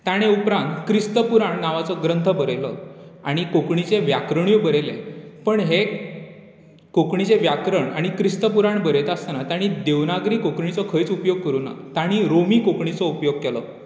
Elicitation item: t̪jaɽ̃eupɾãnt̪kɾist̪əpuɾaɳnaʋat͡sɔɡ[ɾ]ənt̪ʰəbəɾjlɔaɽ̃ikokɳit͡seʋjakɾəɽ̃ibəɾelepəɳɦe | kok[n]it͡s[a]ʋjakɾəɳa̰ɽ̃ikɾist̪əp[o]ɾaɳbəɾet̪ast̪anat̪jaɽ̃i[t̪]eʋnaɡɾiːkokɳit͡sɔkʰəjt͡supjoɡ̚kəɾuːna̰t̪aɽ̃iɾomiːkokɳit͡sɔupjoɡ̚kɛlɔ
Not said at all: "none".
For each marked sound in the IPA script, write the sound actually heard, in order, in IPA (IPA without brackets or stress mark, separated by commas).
ɾ, ɳ, e, u, d̪